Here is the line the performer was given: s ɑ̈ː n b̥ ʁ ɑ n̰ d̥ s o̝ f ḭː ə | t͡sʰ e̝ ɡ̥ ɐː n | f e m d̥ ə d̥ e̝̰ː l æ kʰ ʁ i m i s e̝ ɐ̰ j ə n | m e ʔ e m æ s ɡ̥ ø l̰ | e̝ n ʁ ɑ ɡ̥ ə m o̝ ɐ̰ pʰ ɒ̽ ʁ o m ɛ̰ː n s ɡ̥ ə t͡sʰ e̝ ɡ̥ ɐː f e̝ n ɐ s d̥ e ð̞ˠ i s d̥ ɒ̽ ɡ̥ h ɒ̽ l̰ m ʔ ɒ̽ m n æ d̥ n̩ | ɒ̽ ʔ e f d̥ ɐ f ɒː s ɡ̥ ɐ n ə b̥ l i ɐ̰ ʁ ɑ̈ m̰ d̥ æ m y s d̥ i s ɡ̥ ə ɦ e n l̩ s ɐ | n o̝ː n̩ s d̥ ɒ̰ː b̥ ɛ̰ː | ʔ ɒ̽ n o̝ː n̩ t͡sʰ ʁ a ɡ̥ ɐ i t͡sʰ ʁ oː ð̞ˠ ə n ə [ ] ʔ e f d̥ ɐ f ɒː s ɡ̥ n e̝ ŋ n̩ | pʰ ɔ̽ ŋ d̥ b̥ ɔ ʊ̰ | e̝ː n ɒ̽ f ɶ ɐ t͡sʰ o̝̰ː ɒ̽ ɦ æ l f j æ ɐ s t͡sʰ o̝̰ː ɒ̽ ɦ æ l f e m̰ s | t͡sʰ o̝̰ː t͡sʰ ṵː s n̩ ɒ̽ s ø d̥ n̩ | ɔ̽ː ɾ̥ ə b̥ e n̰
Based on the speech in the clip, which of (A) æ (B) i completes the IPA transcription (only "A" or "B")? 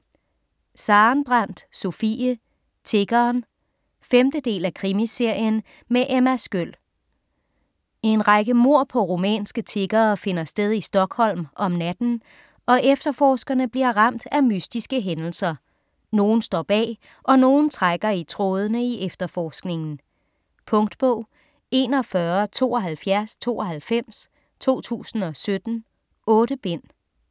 B